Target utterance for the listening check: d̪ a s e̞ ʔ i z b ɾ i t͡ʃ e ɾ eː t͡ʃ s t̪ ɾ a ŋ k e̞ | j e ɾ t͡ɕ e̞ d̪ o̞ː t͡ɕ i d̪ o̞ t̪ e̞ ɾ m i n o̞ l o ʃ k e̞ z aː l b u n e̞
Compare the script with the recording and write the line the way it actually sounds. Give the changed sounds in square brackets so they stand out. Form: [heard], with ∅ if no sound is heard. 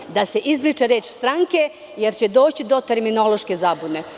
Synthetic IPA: d̪ a s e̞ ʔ i z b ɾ i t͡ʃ e ɾ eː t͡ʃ s t̪ ɾ a ŋ k e̞ | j e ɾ t͡ɕ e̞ d̪ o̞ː t͡ɕ i d̪ o̞ t̪ e̞ ɾ m i n o̞ l o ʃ k e̞ z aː [∅] b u n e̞